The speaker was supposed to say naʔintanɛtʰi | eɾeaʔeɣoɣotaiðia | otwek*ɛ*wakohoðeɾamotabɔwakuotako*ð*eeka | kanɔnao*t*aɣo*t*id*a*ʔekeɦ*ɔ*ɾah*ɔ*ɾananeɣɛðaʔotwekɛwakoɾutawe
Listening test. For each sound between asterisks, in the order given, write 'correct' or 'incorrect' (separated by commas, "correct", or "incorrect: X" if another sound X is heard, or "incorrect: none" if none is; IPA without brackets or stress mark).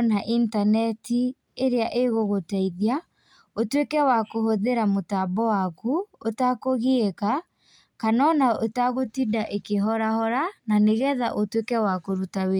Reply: correct, incorrect: ɣ, correct, correct, correct, correct, correct